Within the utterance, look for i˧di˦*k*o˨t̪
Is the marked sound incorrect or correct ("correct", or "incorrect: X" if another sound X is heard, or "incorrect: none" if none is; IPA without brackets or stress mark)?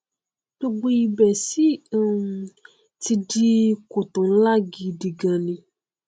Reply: correct